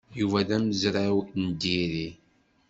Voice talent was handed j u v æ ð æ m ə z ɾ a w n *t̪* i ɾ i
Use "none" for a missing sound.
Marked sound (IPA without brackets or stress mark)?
d̪